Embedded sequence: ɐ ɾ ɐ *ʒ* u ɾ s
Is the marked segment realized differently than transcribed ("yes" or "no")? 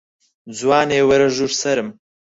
no